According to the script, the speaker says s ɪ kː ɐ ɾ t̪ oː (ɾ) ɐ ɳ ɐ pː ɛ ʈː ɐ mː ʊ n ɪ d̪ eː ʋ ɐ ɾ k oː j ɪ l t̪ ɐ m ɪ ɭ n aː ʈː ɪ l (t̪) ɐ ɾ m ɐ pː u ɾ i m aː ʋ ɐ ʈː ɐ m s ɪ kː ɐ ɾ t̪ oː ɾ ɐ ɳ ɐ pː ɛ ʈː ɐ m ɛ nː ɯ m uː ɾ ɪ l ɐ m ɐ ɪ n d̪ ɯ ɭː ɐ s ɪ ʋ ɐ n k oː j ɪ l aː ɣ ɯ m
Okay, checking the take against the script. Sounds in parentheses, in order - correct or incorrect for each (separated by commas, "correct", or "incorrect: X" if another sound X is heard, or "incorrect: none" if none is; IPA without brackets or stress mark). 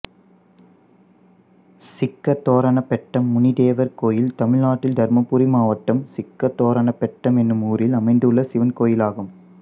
correct, incorrect: d̪